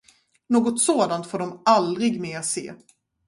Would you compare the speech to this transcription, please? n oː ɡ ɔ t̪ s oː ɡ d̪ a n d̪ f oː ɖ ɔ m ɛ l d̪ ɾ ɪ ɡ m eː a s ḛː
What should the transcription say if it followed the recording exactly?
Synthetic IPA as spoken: n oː ɡ ɔ t̪ s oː d̪ a n t̪ f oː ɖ ɔ m a l d̪ ɾ ɪ ɡ m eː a s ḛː